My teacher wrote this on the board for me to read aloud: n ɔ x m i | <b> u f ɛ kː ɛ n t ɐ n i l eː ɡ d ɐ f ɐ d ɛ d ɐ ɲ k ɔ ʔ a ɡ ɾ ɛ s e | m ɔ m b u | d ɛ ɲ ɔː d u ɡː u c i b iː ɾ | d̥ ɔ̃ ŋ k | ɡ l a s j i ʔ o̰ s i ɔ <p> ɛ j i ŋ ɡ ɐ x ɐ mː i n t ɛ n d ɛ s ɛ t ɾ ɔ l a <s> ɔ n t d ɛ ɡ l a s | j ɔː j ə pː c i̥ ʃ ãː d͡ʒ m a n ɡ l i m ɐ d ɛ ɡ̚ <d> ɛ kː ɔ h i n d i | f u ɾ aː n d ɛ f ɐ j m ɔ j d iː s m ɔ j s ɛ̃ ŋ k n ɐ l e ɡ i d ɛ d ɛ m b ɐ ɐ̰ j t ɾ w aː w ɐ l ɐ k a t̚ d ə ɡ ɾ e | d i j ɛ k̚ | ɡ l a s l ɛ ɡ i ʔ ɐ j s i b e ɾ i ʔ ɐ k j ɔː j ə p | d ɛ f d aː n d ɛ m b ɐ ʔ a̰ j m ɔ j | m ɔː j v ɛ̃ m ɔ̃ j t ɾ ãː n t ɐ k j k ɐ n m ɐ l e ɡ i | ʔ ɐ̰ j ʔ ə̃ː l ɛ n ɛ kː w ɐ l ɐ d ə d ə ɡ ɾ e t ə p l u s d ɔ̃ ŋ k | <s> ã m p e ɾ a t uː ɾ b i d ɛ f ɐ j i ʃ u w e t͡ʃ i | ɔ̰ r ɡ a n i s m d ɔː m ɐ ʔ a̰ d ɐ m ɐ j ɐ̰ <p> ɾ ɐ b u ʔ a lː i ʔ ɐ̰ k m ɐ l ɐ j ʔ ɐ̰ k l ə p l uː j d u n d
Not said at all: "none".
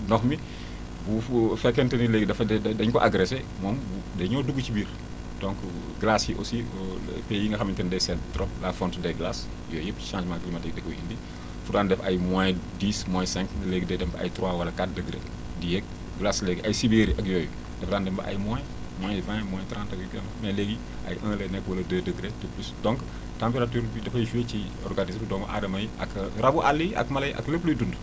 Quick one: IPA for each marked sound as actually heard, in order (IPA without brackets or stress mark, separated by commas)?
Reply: b, p, f, d, t, k